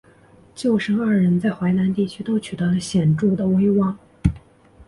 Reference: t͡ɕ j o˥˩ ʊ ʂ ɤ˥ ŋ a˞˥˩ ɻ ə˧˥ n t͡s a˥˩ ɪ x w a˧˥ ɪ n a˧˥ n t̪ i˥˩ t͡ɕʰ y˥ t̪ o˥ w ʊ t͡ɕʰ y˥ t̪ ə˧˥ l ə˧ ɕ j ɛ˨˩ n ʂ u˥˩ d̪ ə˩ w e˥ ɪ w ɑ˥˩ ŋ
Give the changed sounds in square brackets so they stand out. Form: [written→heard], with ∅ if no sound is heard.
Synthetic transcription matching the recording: t͡ɕ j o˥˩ ʊ ʂ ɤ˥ ŋ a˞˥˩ ɻ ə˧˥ n t͡s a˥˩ ɪ x w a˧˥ ɪ n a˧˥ n t̪ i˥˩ t͡ɕʰ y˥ t̪ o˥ [w→∅] ʊ t͡ɕʰ [y˥→y˨˩] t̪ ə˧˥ l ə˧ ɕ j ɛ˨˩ n [ʂ→ʈ͡ʂ] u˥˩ d̪ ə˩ w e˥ ɪ w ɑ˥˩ ŋ